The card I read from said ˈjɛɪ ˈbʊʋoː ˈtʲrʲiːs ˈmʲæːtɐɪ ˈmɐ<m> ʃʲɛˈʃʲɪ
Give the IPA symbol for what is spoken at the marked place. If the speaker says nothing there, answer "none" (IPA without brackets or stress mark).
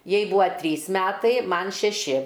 n